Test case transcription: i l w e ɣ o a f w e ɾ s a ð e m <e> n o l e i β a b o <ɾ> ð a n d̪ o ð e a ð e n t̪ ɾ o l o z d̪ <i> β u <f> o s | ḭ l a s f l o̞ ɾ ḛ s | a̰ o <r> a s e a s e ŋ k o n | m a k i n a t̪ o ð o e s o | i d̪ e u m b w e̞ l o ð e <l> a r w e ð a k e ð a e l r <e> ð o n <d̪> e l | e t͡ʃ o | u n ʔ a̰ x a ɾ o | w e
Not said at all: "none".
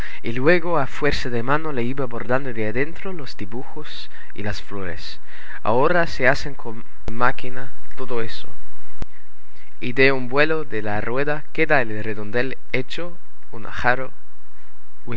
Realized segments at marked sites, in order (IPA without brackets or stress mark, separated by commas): a, ɾ, i, x, ɾ, l, e, d̪